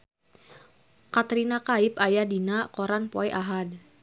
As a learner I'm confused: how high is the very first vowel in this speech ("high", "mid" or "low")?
low